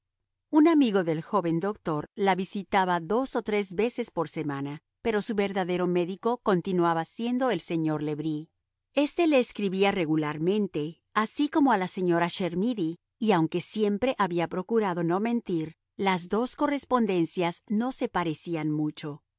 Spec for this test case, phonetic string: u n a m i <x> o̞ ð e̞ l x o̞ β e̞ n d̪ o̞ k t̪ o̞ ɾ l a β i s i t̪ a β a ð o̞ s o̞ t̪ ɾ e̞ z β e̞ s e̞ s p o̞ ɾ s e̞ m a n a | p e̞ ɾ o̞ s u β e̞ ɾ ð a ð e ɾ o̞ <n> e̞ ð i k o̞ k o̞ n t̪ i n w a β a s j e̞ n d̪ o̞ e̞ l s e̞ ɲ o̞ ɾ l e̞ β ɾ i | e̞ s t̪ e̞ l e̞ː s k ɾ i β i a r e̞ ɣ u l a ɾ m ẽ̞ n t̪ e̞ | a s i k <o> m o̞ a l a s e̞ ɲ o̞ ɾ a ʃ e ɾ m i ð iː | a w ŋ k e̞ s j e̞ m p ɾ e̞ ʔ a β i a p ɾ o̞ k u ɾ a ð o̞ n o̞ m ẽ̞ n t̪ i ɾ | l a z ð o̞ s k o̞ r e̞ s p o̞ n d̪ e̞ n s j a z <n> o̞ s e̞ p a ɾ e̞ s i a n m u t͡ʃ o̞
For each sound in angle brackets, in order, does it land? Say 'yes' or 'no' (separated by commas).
no, no, yes, yes